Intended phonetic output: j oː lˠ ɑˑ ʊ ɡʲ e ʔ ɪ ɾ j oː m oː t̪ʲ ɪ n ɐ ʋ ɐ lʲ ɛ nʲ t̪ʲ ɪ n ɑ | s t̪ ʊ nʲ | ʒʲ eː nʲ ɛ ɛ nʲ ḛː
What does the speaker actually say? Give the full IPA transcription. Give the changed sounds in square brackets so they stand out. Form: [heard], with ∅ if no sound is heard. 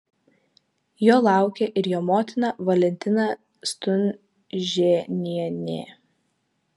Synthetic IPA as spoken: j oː lˠ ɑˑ ʊ [kʲ] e ʔ ɪ ɾ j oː m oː t̪ʲ ɪ n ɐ ʋ ɐ lʲ ɛ nʲ t̪ʲ ɪ n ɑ | s t̪ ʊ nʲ | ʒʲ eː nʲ [i] ɛ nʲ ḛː